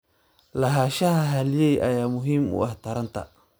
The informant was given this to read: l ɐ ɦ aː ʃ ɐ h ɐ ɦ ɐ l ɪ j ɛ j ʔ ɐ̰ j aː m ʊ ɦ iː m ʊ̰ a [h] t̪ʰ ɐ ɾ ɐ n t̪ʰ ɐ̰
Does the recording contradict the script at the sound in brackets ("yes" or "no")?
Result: no